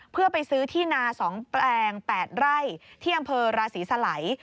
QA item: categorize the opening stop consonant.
aspirated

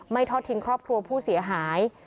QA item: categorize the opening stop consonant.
aspirated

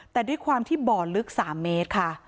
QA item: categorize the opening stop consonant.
plain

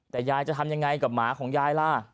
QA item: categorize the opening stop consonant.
plain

